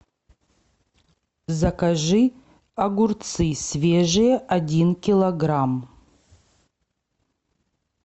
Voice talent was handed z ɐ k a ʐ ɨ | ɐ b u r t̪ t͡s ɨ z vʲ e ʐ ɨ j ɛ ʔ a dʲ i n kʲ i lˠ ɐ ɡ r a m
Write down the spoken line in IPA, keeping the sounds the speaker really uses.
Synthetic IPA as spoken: z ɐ k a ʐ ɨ | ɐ ɡ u r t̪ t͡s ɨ s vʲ e ʐ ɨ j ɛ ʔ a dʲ i n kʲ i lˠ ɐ ɡ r a m